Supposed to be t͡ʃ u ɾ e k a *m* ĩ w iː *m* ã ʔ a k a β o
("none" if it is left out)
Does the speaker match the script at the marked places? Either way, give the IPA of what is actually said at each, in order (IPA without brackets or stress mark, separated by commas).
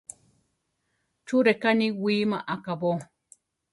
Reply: n, m